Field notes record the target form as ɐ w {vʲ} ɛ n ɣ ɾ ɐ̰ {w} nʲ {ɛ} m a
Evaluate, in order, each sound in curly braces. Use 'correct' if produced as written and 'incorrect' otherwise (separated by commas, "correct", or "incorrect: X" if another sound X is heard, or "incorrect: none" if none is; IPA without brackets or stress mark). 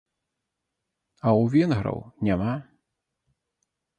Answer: correct, correct, incorrect: a